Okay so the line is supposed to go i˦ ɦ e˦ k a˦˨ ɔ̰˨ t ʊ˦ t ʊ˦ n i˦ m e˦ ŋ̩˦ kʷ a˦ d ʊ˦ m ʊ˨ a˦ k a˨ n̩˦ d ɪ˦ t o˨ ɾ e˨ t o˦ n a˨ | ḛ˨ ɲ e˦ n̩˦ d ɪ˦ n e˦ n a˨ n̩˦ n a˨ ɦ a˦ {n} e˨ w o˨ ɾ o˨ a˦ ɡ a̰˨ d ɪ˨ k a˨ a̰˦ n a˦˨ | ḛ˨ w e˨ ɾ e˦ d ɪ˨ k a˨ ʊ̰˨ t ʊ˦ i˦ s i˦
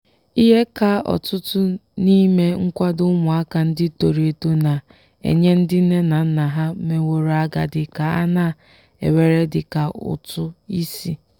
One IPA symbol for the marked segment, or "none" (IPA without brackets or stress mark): m